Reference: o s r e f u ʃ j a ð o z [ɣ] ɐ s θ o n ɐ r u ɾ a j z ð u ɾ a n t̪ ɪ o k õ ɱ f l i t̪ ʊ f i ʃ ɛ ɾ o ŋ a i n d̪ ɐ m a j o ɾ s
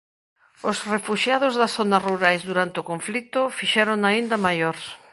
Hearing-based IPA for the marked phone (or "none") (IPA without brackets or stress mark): ð